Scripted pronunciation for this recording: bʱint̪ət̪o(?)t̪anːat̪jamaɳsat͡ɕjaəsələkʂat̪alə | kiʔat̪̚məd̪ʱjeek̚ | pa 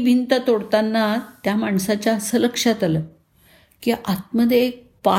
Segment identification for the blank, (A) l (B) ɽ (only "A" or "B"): B